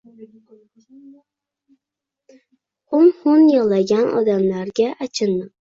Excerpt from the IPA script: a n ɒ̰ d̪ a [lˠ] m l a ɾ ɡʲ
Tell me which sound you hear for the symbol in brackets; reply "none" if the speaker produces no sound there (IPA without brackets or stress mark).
none